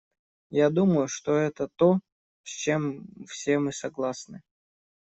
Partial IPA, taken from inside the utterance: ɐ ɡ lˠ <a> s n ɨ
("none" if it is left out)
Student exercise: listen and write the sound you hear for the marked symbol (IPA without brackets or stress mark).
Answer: a